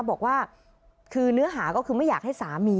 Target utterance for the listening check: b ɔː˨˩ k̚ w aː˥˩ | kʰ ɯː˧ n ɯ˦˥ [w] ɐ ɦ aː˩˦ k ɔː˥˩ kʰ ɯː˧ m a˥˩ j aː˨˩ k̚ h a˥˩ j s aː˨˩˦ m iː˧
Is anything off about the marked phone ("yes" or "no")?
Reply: yes